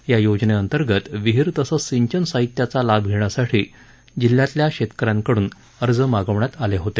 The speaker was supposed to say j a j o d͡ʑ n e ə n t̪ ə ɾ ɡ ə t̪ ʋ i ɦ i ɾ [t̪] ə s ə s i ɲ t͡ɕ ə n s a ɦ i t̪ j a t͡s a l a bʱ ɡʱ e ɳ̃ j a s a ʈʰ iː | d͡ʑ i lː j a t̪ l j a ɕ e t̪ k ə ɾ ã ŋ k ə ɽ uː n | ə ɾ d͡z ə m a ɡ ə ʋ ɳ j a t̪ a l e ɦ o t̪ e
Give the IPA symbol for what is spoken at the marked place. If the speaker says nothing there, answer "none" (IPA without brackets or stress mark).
t̪